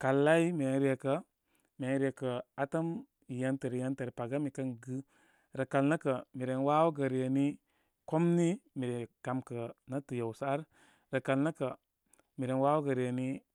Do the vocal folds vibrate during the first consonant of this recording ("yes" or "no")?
no